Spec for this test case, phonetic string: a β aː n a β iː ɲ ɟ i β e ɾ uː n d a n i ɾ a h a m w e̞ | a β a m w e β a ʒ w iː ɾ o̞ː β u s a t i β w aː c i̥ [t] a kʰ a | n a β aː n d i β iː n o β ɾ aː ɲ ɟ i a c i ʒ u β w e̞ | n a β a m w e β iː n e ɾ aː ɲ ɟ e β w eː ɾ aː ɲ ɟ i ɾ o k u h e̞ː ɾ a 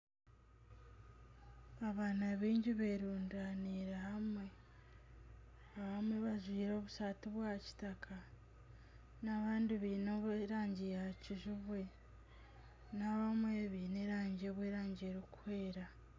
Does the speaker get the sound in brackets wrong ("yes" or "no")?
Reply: no